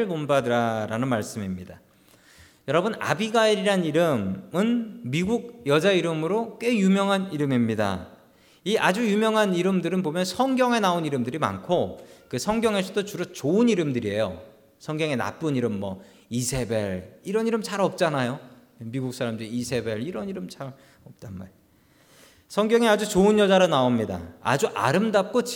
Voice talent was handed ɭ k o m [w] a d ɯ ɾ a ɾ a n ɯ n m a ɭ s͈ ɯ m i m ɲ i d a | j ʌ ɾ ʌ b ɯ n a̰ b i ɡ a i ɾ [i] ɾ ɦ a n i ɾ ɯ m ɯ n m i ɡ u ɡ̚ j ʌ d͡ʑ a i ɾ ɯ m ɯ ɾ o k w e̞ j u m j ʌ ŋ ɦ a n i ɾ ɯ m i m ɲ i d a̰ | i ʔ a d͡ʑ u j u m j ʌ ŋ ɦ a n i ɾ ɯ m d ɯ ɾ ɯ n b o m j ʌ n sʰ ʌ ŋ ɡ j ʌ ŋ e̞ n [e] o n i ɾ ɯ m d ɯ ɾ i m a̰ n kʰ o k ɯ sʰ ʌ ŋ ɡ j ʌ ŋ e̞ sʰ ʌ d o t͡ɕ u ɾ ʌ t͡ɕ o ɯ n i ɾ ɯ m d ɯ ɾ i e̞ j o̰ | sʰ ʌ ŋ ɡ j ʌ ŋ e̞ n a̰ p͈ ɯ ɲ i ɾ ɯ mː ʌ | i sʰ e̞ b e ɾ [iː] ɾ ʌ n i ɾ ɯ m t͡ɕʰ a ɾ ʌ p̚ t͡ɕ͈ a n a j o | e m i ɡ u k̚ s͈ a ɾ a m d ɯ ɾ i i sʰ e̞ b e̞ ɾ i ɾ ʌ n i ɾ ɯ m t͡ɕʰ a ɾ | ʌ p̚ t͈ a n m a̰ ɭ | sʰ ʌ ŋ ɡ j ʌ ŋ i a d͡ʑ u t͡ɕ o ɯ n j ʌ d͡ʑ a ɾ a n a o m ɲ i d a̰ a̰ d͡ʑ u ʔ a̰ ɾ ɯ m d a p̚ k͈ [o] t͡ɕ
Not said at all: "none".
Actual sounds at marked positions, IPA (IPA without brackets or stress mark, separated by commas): b, i, a, i, o